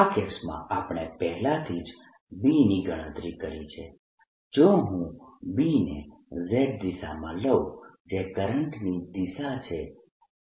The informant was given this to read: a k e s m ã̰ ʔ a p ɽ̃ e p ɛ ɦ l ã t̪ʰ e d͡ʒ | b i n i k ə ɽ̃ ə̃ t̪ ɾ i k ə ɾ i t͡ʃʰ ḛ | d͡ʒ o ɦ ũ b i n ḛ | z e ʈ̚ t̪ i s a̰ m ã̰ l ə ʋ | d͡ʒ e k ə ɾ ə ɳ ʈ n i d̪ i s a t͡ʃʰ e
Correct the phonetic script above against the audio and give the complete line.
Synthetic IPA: a k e s m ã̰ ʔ a p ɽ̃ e p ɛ ɦ l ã t̪ʰ i d͡ʒ | b i n i ɡ ə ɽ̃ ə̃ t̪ ɾ i k ə ɾ i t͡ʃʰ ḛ | d͡ʒ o ɦ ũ b i n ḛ | z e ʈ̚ d̪ i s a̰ m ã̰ l ə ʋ | d͡ʒ e k ə ɾ ə ɳ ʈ n i d̪ i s a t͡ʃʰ e